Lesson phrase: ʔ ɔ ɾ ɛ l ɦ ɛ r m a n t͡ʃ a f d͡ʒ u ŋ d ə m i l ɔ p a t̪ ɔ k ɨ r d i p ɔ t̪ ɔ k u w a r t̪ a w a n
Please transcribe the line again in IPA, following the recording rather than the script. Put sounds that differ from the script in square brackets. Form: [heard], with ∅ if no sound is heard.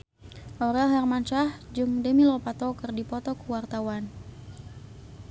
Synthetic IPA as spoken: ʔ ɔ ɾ ɛ l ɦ ɛ r m a n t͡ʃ a [h] d͡ʒ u ŋ d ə m i l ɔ p a t̪ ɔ k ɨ r d i p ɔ t̪ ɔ k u w a r t̪ a w a n